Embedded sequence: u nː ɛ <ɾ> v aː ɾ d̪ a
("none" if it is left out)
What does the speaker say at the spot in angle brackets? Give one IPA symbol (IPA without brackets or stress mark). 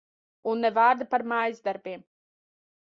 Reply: none